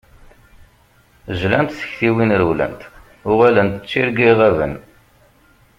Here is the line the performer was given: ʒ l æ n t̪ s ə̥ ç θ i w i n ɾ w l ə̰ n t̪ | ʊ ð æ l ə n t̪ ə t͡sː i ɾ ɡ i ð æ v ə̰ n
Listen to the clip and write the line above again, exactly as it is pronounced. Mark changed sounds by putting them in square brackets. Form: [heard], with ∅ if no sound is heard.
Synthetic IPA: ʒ l æ n t̪ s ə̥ ç θ i w i n ɾ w l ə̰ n t̪ | ʊ [ʁ] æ l ə n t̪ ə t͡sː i ɾ ɡ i [ʁ] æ v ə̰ n

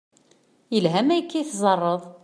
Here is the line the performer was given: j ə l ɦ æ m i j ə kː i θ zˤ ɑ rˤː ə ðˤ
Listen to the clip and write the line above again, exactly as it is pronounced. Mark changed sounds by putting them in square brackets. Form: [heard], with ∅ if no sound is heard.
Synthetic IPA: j ə l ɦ æ m [æ] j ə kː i θ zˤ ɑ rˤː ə ðˤ

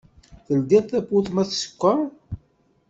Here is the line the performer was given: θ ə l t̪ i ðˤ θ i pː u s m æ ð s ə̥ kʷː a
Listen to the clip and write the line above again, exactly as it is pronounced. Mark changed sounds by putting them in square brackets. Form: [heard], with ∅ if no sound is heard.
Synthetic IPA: θ ə l [d̪] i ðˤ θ [æ] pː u [θ] m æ [θ] s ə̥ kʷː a

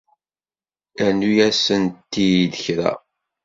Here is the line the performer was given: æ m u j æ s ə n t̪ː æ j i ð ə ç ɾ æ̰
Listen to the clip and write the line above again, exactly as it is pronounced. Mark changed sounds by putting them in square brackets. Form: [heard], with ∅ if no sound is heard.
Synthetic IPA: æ [n] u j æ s ə n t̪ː [i] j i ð ə ç ɾ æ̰

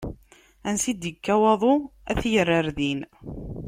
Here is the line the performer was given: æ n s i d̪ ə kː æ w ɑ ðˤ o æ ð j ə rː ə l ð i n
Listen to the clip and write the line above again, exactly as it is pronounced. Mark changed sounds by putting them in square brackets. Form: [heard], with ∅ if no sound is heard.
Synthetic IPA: æ n s i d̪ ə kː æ w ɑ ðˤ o æ [θ] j ə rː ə [ɾ] ð i n

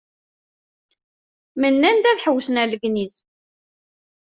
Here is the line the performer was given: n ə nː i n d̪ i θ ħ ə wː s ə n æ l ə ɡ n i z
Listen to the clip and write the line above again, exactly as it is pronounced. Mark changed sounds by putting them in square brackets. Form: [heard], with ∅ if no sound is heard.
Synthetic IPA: [m] ə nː [æ] n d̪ [æ] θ ħ ə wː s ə n æ l ə ɡ n i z

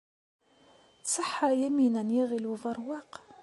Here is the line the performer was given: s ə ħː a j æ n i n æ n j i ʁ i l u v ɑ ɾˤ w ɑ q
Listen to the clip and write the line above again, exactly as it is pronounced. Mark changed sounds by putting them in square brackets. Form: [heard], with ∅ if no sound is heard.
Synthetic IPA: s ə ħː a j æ [m] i n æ n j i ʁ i l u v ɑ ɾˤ w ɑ q

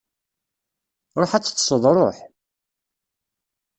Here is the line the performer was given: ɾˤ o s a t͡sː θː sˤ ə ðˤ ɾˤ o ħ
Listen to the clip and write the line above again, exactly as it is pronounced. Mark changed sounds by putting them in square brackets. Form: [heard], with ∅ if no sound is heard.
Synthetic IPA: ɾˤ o [ħ] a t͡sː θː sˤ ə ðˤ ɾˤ o ħ

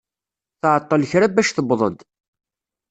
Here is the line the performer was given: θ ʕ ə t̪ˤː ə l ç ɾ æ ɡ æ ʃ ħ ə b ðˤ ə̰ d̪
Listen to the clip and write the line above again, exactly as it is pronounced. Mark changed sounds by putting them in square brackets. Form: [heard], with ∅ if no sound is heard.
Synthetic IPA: θ ʕ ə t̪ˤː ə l ç ɾ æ [b] æ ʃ [θ] ə b ðˤ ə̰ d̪

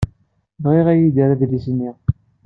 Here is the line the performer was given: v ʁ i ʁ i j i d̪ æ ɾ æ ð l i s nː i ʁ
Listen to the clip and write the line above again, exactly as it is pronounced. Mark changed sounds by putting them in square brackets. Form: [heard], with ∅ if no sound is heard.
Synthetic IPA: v ʁ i ʁ [æ] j i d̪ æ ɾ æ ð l i s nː i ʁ

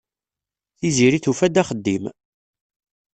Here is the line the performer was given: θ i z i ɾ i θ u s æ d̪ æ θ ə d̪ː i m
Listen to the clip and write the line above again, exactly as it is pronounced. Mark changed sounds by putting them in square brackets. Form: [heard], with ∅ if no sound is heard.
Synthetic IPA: θ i z i ɾ i θ u [f] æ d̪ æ [χ] ə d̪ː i m

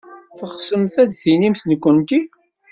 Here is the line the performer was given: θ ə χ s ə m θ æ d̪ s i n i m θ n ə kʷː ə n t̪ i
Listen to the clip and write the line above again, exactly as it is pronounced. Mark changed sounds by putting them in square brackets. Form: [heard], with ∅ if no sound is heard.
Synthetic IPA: θ ə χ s ə m θ æ d̪ [θ] i n i m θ n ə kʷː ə n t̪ i

